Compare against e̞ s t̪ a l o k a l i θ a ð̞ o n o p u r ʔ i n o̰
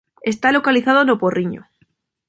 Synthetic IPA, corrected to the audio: e̞ s t̪ a l o k a l i θ a ð̞ o n o p o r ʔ i ɲ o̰